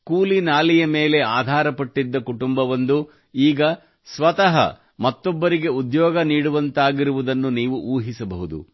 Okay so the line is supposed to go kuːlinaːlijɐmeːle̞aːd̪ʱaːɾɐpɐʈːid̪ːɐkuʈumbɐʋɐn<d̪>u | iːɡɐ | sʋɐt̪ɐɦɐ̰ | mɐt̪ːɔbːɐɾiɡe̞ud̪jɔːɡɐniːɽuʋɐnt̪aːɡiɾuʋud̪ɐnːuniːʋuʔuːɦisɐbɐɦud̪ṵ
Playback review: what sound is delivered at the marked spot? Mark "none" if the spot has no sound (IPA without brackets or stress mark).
d̪